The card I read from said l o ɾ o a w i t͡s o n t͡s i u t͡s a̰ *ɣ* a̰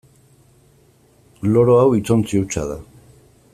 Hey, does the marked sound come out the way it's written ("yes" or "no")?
no